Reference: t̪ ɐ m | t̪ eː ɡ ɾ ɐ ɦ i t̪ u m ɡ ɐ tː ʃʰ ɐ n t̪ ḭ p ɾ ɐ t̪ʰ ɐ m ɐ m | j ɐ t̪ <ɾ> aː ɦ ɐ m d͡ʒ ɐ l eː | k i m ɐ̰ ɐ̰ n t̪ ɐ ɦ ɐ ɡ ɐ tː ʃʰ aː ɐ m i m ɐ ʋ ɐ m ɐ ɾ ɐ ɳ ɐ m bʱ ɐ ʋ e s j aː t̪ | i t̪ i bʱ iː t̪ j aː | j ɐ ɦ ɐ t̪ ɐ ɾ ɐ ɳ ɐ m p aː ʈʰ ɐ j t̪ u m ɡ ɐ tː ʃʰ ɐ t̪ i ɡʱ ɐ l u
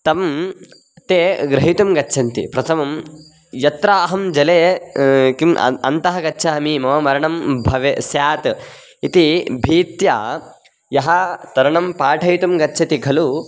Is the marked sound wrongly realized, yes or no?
no